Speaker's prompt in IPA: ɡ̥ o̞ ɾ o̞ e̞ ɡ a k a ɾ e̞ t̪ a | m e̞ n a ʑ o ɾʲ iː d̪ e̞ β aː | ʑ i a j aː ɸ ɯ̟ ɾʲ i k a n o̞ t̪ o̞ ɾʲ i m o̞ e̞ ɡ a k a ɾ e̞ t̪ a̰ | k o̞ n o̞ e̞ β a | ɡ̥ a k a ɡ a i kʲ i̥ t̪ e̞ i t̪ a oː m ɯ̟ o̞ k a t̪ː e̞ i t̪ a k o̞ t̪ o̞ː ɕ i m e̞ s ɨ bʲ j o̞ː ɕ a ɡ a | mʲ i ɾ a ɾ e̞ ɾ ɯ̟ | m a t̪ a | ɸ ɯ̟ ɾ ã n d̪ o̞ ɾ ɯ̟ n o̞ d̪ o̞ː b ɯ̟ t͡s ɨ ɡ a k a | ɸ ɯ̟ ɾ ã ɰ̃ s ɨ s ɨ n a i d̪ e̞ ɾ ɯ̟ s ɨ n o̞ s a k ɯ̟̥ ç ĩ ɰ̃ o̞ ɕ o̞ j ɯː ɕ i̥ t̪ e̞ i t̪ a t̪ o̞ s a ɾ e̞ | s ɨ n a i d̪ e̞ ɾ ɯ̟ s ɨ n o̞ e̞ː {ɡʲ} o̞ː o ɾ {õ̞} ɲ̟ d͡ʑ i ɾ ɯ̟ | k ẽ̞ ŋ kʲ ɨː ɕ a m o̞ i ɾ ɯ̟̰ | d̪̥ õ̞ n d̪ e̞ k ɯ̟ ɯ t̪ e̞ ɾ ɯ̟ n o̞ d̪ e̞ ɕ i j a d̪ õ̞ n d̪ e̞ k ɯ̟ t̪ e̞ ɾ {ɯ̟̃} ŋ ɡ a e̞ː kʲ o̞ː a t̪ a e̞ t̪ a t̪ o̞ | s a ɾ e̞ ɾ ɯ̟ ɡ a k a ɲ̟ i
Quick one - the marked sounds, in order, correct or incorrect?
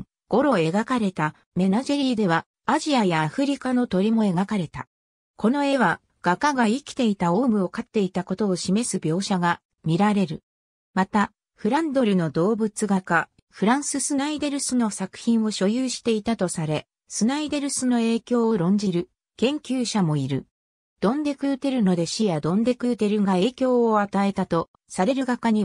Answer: incorrect: kʲ, correct, incorrect: ɯ̟

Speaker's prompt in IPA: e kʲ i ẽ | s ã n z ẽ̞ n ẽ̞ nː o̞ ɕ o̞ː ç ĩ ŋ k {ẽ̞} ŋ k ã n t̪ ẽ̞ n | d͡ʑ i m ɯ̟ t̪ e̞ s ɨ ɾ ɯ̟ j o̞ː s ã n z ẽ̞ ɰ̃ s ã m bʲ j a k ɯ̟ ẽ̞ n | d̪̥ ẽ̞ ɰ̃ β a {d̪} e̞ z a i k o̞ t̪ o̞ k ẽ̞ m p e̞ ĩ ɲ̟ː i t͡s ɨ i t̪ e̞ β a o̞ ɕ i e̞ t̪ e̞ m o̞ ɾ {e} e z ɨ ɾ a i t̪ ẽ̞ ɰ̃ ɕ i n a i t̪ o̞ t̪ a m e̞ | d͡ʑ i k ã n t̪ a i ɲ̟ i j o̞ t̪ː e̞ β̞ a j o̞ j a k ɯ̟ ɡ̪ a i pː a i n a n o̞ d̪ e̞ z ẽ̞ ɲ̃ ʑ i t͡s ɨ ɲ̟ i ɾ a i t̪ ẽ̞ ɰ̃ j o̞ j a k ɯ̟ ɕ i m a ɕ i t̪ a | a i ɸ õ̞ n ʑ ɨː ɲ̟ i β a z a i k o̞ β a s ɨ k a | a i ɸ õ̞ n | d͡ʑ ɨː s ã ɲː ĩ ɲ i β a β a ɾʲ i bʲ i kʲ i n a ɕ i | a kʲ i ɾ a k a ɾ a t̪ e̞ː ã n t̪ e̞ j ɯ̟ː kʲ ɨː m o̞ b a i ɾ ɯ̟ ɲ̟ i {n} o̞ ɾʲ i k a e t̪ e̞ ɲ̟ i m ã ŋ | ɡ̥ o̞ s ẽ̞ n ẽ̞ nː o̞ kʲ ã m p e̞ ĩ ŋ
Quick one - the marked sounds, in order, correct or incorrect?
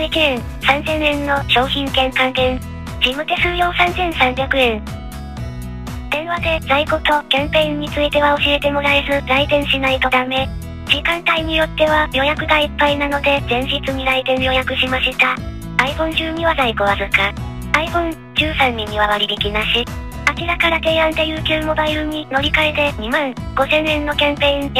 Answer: correct, correct, incorrect: a, correct

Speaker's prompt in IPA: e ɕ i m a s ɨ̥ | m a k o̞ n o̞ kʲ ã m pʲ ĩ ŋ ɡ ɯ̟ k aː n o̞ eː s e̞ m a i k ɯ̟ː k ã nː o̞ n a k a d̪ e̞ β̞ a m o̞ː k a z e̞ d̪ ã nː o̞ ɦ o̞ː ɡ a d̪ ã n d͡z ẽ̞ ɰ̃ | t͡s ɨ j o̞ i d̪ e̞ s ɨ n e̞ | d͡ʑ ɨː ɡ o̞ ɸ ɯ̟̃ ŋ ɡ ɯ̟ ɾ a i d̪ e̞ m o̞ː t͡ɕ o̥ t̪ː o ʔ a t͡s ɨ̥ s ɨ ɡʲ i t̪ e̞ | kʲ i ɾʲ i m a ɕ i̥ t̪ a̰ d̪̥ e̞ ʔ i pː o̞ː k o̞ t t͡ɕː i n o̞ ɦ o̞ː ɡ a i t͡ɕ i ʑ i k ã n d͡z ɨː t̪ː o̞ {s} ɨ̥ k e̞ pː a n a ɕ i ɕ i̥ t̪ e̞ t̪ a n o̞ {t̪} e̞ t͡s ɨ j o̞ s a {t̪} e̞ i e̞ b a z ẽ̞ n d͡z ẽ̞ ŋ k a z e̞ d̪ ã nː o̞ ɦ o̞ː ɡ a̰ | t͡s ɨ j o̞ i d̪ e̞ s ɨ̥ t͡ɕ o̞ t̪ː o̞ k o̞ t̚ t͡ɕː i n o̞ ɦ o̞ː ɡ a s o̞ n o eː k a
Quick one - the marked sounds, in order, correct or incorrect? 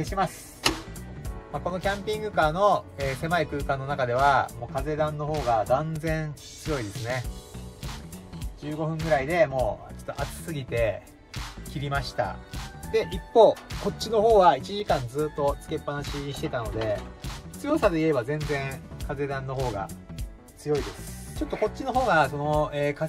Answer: incorrect: t͡s, incorrect: d̪, incorrect: d̪

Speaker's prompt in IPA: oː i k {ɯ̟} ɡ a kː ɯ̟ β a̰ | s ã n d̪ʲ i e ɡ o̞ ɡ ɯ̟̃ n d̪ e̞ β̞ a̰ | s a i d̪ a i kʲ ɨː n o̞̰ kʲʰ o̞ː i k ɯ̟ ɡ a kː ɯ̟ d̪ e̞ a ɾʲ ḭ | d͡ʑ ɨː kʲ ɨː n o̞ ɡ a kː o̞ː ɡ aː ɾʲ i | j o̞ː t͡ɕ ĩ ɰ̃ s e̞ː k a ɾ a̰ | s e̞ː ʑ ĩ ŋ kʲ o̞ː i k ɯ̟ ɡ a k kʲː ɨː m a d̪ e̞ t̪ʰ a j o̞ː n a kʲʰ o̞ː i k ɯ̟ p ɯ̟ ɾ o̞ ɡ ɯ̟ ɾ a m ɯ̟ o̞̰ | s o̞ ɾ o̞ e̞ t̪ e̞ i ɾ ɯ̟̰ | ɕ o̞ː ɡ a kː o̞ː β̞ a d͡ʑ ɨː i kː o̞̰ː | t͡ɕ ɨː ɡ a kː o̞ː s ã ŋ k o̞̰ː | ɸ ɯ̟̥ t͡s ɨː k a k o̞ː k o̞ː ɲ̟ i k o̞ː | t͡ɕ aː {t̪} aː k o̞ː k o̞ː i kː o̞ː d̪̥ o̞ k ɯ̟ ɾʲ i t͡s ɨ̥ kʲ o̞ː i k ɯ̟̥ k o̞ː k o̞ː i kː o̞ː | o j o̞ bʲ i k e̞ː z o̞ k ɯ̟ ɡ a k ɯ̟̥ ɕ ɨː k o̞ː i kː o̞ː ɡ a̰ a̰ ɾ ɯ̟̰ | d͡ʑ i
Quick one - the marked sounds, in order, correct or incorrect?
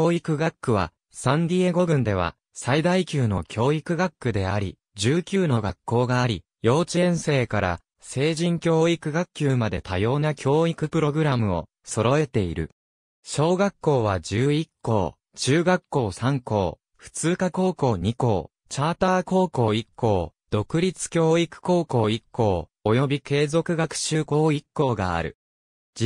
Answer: correct, correct

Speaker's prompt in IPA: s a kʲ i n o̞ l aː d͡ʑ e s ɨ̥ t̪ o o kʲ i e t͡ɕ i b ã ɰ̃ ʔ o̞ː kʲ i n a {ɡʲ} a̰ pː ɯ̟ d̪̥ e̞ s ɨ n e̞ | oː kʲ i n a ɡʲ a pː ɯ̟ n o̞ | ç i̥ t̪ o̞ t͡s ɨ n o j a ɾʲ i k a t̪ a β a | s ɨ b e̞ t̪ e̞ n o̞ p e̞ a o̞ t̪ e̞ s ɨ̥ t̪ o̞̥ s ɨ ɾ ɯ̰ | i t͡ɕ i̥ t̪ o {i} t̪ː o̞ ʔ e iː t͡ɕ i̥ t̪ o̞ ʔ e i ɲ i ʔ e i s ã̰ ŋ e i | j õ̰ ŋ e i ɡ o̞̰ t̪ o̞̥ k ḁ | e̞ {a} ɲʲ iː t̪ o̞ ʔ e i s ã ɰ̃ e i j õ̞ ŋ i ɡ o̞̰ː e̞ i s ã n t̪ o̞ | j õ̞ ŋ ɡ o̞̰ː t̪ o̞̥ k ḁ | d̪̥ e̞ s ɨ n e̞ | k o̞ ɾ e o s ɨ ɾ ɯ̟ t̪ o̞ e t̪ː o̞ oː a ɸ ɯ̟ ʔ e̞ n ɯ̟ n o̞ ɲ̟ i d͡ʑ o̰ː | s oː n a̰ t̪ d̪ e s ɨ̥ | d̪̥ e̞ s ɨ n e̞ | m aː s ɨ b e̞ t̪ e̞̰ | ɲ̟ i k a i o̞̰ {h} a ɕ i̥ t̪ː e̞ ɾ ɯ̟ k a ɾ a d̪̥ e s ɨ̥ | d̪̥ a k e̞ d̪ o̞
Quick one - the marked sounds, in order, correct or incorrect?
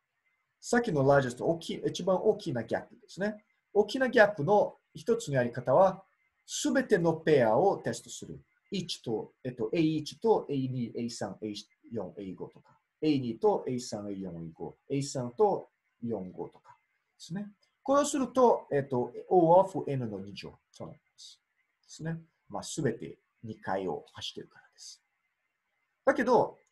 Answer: correct, incorrect: e, incorrect: i, correct

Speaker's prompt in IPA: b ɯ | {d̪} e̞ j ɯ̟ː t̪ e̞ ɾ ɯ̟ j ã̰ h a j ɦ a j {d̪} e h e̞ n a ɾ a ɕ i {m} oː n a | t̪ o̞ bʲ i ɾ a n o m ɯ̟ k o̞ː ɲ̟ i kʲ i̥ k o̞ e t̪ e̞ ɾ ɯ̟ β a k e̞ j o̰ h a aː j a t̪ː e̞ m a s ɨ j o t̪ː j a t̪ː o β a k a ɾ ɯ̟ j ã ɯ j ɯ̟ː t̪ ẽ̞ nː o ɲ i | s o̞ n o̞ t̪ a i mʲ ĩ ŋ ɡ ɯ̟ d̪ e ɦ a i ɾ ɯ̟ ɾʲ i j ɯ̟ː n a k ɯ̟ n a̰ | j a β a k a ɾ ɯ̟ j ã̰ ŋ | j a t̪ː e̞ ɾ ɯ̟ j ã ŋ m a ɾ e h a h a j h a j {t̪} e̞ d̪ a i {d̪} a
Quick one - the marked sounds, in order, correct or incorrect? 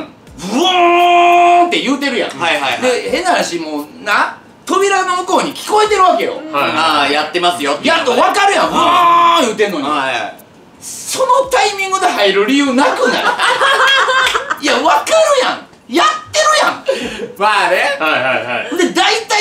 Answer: incorrect: t̪, correct, correct, incorrect: d̪, incorrect: t̪

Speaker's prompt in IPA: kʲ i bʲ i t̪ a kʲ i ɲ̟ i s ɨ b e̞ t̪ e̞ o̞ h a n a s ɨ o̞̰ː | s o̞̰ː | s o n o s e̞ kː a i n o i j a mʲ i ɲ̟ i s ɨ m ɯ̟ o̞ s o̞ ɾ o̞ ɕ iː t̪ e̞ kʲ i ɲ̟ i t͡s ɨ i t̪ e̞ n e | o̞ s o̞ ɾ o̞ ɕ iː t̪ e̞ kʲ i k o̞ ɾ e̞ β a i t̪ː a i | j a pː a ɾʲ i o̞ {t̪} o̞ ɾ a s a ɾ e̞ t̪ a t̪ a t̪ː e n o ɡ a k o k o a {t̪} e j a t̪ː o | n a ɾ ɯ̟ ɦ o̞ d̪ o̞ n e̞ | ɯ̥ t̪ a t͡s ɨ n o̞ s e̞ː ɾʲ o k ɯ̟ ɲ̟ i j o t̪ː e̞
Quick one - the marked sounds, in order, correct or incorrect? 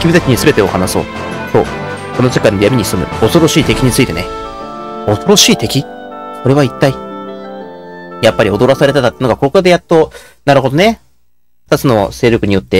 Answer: incorrect: d̪, incorrect: d̪

